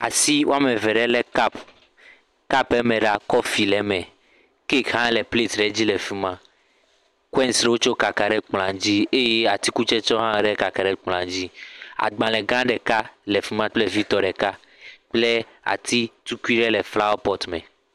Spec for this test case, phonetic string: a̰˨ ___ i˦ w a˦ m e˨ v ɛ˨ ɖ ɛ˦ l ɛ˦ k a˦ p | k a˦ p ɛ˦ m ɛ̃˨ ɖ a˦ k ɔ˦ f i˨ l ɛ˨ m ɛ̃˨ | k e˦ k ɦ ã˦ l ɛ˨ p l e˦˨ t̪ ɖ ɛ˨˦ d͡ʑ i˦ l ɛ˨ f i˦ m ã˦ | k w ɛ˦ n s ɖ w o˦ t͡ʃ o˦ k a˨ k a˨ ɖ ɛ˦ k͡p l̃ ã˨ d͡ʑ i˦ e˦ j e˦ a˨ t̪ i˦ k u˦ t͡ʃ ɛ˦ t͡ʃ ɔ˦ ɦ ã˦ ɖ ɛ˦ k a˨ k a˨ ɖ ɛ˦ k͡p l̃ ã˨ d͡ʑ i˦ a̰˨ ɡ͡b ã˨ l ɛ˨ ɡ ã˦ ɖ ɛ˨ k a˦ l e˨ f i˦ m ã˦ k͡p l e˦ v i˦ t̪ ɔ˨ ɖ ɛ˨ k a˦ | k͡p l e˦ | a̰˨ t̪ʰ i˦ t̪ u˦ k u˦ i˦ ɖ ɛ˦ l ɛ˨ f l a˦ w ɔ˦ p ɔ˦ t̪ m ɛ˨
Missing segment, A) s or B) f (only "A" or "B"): A